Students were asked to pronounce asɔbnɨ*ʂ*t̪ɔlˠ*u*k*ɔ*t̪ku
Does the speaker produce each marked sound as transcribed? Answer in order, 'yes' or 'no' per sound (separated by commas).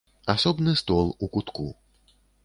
no, yes, no